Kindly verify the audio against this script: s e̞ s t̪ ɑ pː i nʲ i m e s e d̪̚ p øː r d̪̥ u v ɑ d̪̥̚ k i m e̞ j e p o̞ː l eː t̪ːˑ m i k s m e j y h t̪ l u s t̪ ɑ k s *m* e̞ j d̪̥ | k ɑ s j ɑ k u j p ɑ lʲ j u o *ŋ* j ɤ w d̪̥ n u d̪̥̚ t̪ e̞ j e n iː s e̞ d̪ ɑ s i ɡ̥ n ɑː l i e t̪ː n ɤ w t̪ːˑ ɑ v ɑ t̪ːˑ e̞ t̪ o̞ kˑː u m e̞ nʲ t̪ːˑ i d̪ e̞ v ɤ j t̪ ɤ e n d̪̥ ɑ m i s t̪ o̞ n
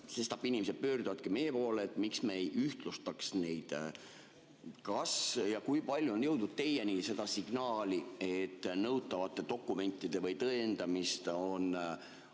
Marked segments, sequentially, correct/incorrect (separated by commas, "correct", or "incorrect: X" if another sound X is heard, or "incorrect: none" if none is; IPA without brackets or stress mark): incorrect: n, incorrect: n